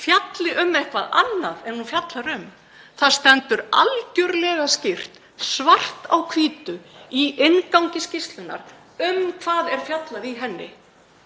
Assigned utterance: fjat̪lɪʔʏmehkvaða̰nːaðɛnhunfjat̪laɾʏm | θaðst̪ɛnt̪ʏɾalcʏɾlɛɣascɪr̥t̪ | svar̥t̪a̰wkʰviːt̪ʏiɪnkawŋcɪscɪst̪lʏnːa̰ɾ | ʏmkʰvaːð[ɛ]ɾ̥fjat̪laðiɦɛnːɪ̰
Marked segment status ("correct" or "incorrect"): correct